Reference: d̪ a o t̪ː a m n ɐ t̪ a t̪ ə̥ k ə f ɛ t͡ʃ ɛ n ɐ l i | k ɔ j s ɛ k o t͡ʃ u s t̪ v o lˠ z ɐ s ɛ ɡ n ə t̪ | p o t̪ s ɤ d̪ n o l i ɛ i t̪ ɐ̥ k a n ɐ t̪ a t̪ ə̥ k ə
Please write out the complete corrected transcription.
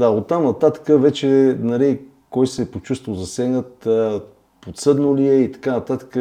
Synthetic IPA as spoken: d̪ a o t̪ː a m n ɐ t̪ a t̪ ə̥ k ə v ɛ t͡ʃ ɛ n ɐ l i | k ɔ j s ɛ p o t͡ʃ u s t̪ v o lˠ z ɐ s ɛ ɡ n ə t̪ | p o t̪ s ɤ d̪ n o l i ɛ i t̪ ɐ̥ k a n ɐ t̪ a t̪ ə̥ k ə